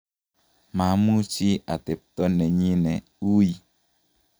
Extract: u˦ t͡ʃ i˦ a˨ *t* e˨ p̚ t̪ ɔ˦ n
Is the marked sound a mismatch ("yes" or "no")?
no